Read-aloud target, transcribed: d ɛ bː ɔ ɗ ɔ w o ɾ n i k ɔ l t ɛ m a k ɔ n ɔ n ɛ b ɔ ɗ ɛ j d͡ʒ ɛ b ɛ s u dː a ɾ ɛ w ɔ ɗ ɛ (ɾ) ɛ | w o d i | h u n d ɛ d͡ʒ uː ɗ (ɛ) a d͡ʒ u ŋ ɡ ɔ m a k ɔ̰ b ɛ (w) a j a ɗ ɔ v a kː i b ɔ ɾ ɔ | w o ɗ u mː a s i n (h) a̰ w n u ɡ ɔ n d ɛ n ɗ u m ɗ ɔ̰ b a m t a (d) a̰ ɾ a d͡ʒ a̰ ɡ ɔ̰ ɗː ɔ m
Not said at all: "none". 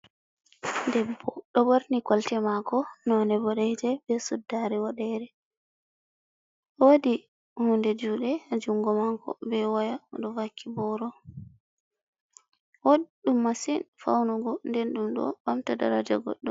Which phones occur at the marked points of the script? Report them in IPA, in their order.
ɾ, ɛ, w, f, d

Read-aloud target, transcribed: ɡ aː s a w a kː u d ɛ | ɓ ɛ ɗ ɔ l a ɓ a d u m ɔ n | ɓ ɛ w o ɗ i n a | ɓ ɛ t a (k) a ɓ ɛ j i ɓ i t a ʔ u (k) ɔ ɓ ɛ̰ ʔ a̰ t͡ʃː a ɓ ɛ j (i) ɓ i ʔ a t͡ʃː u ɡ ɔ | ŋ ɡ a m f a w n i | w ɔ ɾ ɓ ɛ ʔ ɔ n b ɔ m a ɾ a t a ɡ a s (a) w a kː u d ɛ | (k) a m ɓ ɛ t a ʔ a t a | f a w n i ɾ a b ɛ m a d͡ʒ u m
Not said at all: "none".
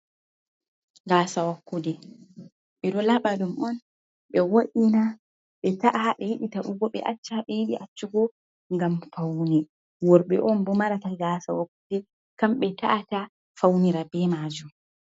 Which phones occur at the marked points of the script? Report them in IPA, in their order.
ʔ, ɡ, i, a, k

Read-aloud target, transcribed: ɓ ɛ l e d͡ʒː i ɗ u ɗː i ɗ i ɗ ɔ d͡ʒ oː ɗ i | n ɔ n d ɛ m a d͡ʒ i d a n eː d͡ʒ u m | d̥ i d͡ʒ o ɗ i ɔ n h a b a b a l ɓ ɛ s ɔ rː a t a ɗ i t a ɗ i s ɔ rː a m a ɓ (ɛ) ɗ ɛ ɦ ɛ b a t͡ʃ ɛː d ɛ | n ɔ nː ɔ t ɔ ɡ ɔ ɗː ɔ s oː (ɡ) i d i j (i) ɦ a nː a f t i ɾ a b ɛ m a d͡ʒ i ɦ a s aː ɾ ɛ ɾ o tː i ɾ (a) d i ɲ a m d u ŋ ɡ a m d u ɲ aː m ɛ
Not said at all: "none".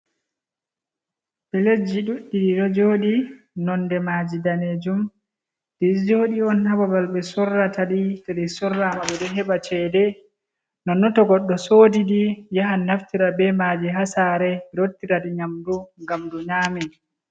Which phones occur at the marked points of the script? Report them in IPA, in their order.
ɛ, d, a, a

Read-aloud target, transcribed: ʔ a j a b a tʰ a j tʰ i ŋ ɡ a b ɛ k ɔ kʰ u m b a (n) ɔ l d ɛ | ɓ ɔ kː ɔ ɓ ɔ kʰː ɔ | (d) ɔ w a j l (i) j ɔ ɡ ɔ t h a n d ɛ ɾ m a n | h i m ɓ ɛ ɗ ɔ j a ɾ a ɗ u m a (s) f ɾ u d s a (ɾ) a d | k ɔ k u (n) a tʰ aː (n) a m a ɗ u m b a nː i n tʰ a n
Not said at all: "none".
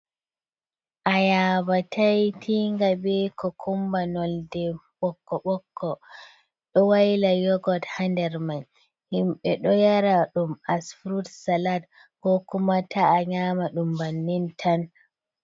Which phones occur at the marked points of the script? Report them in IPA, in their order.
n, ɗ, a, s, l, m, ɲ

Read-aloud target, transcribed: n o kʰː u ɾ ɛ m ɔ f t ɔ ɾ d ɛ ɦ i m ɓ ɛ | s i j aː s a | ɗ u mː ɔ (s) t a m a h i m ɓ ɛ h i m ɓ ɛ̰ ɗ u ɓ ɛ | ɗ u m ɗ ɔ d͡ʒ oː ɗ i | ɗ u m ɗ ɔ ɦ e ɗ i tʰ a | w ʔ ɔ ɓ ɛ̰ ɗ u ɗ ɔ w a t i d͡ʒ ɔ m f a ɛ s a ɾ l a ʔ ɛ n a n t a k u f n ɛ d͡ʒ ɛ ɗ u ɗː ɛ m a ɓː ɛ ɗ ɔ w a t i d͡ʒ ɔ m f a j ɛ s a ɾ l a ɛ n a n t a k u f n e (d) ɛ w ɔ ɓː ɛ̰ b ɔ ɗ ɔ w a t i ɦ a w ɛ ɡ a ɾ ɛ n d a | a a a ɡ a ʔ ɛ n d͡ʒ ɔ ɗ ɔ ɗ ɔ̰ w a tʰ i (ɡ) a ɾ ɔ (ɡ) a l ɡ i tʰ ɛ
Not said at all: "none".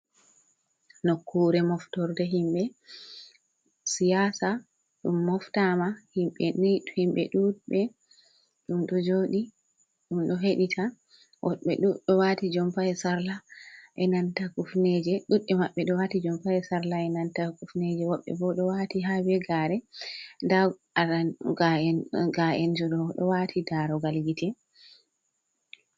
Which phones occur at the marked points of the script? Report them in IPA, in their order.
f, d͡ʒ, d, ɡ

